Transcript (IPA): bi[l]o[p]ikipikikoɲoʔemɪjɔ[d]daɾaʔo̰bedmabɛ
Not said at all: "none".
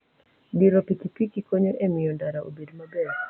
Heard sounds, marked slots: ɾ, p, n

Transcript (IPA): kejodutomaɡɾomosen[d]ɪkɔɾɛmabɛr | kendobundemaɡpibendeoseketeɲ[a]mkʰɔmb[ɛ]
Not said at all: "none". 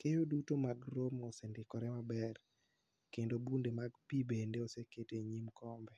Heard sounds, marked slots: d, i, ɛ

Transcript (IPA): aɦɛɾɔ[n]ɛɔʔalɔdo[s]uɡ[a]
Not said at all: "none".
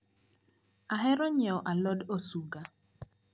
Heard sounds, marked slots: ɲ, s, a

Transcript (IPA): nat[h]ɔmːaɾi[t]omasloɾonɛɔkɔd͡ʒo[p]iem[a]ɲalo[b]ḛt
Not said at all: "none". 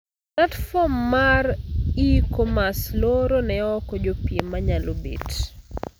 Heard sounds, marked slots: f, k, p, a, b

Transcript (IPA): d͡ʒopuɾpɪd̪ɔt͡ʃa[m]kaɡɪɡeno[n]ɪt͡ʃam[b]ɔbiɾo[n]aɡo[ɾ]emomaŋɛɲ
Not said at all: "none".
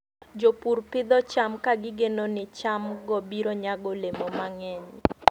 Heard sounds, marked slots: m, n, ɡ, ɲ, l

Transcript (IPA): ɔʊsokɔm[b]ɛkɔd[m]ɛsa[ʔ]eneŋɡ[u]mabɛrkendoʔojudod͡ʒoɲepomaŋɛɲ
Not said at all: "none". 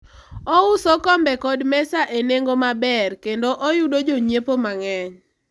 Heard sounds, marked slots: b, m, ʔ, o

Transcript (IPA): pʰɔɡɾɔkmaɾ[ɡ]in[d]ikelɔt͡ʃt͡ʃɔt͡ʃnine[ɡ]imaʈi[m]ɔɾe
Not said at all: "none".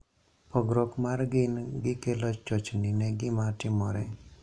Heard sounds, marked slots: ɡ, ɡ, ɡ, m

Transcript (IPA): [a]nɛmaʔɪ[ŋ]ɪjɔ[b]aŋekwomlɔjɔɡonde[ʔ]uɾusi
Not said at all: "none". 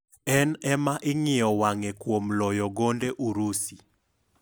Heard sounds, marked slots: ɛ, ŋ, w, ʔ

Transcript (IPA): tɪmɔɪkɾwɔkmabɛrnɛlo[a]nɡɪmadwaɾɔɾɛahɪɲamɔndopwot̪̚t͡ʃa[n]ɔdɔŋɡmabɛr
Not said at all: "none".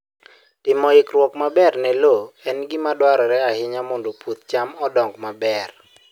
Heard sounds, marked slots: ɛ, m

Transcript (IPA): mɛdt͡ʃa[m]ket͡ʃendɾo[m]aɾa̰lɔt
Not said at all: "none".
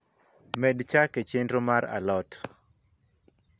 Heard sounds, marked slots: none, m

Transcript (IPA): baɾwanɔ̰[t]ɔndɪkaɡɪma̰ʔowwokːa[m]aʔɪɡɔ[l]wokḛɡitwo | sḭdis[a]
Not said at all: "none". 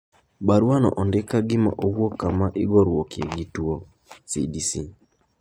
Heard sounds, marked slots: ʔ, m, ɾ, i

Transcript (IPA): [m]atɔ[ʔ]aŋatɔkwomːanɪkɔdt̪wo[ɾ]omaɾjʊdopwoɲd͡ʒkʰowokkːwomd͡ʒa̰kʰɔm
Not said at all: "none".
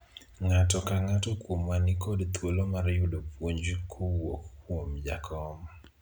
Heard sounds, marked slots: ŋ, k, l

